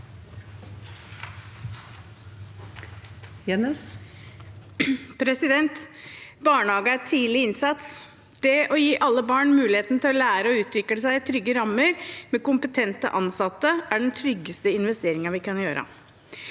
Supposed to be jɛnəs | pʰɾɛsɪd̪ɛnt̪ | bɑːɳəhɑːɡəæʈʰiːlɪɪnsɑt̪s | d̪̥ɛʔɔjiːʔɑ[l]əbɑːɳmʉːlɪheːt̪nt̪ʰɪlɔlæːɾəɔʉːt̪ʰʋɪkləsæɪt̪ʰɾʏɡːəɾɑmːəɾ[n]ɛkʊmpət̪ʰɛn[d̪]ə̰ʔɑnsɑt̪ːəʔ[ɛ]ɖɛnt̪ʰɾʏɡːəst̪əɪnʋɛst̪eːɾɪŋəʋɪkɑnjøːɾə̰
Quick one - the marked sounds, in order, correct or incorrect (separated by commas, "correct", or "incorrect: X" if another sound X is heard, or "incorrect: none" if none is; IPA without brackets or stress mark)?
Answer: incorrect: lː, incorrect: m, incorrect: t̪, incorrect: æ